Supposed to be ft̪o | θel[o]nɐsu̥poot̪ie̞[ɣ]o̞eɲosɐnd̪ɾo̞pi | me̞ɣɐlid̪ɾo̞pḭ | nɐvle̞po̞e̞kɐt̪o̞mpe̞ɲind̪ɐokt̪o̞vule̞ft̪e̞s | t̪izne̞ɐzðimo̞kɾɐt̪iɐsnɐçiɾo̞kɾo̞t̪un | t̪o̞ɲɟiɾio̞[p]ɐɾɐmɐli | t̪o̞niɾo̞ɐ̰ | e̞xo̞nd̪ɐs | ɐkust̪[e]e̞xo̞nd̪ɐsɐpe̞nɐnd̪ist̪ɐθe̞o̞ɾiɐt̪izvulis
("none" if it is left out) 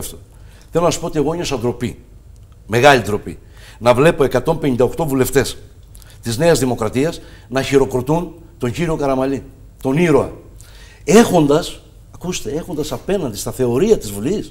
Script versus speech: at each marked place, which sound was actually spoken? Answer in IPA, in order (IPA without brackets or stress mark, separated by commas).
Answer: o, ɣ, k, e